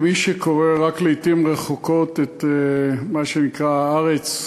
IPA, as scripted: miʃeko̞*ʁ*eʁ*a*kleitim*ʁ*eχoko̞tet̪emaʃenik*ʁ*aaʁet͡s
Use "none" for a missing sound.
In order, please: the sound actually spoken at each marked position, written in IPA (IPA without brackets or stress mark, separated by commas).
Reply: ʁ, a, ʁ, ʁ